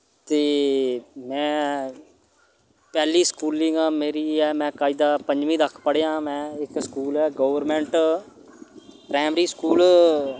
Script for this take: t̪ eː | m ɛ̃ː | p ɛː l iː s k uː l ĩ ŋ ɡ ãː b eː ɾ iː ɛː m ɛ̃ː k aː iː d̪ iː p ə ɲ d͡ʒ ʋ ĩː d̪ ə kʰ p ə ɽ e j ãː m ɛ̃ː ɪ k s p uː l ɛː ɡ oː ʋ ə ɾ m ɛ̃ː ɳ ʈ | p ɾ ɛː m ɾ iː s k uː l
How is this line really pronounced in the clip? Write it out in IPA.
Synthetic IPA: t̪ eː | m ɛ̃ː | p ɛː l iː s k uː l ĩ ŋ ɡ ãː m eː ɾ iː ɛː m ɛ̃ː k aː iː d̪ aː p ə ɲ d͡ʒ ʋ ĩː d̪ ə kʰ p ə ɽ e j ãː m ɛ̃ː ɪ k s k uː l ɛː ɡ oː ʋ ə ɾ m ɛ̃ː ɳ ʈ | p ɾ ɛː m ɾ iː s k uː l